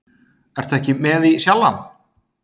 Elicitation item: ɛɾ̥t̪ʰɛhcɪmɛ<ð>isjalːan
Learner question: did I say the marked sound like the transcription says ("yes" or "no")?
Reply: yes